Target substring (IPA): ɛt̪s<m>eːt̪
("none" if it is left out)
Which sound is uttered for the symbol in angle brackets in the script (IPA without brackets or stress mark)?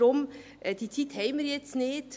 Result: n